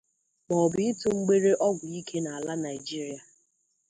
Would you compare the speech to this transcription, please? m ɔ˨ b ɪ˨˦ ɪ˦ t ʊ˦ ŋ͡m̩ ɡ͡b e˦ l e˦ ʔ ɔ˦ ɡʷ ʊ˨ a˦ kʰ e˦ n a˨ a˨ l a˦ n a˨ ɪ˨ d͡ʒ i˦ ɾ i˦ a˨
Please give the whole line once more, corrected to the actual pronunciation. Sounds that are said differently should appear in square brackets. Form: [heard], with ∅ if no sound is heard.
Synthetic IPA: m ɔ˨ b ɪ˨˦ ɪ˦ t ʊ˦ ŋ͡m̩ ɡ͡b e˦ [ɾ] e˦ ʔ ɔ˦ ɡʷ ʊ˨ [i˦] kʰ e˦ n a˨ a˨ l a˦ n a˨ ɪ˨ d͡ʒ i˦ ɾ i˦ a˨